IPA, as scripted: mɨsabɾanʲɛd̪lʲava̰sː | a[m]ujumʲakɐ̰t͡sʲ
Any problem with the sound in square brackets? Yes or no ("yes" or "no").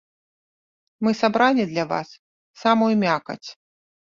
no